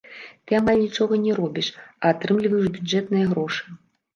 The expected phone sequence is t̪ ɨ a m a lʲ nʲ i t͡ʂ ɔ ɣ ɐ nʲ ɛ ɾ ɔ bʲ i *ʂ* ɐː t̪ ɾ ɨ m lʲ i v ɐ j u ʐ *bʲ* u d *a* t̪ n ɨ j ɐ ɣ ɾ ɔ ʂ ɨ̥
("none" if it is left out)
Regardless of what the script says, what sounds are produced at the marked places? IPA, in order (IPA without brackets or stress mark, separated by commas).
ʂ, bʲ, ɛ